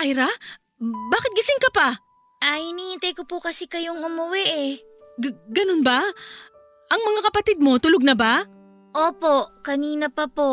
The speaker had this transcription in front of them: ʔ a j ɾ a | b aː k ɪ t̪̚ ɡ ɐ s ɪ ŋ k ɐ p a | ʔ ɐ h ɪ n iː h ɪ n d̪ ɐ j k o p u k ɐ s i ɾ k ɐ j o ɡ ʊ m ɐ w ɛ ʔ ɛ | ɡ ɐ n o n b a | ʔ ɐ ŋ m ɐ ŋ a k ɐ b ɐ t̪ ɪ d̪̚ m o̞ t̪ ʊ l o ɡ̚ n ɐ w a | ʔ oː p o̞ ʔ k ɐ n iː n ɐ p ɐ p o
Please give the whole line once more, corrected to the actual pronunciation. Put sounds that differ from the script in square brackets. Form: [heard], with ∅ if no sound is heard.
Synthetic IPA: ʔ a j ɾ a | b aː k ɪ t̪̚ ɡ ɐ s ɪ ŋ k ɐ p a | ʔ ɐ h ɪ n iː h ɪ n [t̪] ɐ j k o p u k ɐ s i [∅] k ɐ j o [ŋ] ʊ m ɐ w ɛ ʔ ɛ | ɡ ɐ n o n b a | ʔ ɐ ŋ m ɐ ŋ a k ɐ [p] ɐ t̪ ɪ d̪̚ m o̞ t̪ ʊ l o ɡ̚ n ɐ [b] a | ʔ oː p o̞ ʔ k ɐ n iː n ɐ p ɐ p o